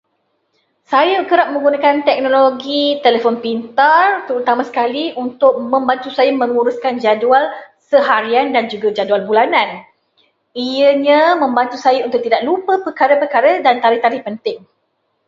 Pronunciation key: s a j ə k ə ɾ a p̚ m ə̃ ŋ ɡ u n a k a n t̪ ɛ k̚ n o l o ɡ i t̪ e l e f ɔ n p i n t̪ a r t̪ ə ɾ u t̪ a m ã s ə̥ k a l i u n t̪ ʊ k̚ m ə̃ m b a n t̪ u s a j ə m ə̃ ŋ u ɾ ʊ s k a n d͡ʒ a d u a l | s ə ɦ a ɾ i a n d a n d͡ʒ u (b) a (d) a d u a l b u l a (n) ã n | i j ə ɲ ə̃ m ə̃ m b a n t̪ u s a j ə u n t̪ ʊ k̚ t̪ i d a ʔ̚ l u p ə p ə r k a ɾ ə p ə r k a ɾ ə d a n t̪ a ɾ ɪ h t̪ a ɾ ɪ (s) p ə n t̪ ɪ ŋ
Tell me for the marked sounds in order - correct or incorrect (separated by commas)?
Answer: incorrect, incorrect, correct, incorrect